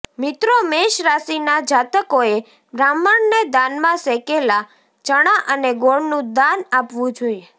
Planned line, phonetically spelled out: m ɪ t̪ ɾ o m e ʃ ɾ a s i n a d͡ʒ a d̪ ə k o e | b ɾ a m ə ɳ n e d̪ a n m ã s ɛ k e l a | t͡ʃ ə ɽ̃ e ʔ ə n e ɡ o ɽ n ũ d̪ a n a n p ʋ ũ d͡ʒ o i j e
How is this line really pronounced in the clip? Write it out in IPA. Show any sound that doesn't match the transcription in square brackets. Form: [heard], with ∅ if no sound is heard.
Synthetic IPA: m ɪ t̪ ɾ o m e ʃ ɾ a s i n a d͡ʒ a [t̪] ə k o e | b ɾ a m ə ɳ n e d̪ a n m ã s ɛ k e l a | t͡ʃ ə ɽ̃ [a] ʔ ə n e ɡ o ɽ n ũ d̪ a n a [∅] p ʋ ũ d͡ʒ o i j e